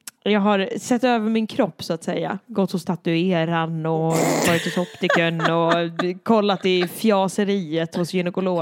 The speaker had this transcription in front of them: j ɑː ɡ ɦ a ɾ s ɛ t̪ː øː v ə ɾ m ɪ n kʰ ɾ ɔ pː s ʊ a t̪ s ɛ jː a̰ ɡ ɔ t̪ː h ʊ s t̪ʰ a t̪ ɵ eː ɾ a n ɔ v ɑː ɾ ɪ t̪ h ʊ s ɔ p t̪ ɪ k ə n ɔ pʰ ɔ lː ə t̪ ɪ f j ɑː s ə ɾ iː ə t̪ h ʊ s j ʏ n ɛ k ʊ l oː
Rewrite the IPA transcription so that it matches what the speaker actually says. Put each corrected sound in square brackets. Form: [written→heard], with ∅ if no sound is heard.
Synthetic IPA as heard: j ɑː ɡ ɦ a ɾ s ɛ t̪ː øː v ə ɾ m ɪ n kʰ ɾ ɔ pː s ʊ a t̪ s ɛ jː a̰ ɡ ɔ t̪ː h ʊ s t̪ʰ a t̪ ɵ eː ɾ a n ɔ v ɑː ɾ ɪ t̪ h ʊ s ɔ p t̪ ɪ k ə n ɔ [pʰ→kʰ] ɔ lː [ə→a] t̪ ɪ f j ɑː s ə ɾ iː ə t̪ h ʊ s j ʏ n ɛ k ʊ l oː